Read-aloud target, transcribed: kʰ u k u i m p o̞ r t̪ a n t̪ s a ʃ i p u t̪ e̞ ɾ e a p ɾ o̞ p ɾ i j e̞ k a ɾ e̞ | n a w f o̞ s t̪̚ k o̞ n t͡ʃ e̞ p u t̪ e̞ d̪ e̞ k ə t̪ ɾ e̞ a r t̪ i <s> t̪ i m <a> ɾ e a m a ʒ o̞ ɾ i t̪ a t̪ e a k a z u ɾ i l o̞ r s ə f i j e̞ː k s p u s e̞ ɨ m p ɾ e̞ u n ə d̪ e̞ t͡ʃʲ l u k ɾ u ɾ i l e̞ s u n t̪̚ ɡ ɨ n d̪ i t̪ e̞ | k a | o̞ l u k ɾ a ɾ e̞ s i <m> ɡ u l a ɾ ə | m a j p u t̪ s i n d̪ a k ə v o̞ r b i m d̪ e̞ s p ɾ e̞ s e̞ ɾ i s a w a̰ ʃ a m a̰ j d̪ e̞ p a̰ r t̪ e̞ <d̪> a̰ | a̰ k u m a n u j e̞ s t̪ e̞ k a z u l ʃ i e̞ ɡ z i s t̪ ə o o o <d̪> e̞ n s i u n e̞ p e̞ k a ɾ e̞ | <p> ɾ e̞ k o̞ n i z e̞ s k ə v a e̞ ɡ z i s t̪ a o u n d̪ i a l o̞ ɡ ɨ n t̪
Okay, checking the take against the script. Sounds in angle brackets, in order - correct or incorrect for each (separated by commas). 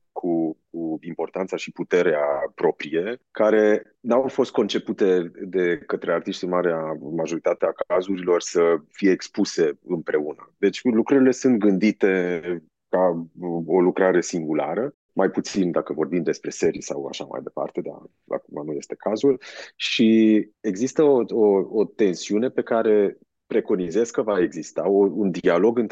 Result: incorrect, correct, incorrect, correct, incorrect, correct